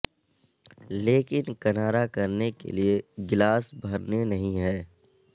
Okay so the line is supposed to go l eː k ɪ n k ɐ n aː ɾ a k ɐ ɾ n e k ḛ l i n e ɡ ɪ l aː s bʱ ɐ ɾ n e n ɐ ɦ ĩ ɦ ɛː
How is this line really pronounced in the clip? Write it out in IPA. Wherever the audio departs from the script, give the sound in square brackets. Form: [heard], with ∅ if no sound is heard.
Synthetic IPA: l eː k ɪ n k ɐ n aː ɾ a k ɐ ɾ n e k ḛ l i [∅] e ɡ ɪ l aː s bʱ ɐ ɾ n e n ɐ ɦ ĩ ɦ ɛː